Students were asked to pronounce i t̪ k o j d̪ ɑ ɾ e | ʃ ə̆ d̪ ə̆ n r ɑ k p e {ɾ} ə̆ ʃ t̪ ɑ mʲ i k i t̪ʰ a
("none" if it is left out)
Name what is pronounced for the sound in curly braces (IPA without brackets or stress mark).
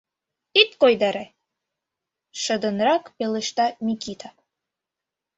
l